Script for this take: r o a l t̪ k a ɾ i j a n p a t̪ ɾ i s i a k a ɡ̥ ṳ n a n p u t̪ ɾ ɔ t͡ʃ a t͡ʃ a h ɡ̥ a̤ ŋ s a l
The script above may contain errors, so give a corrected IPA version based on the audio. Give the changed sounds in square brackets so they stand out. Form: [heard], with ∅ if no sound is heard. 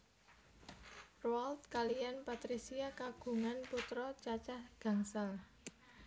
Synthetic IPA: r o a l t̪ k a [l] i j a n p a t̪ ɾ i s i a k a ɡ̥ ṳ [ŋ] a n p u t̪ ɾ ɔ t͡ʃ a t͡ʃ a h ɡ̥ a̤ ŋ s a l